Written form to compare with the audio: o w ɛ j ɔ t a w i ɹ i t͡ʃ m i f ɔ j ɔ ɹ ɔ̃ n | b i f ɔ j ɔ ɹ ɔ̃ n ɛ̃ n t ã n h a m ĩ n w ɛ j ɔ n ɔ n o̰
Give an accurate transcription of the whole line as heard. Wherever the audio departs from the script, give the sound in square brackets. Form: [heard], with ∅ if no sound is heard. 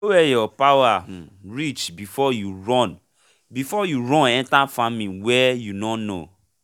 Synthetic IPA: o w ɛ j ɔ [p] a w [a] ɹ i t͡ʃ [b] i f ɔ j [u] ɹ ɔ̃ n | b i f ɔ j [u] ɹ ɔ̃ n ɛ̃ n t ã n [f] a m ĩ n w ɛ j [u] n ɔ n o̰